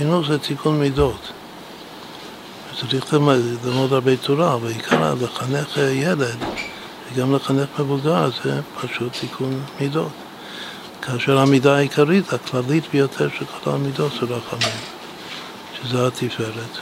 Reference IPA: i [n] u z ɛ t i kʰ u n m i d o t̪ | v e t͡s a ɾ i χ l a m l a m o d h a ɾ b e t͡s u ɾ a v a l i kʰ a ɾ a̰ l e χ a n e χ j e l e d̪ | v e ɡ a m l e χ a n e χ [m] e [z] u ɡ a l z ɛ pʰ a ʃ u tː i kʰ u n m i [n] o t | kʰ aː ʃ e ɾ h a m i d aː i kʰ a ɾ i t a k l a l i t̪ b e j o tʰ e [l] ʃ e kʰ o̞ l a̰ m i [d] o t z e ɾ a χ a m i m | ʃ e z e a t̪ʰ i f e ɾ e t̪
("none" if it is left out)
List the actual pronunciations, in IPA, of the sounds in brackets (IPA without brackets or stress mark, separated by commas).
n, m, v, d, ɾ, d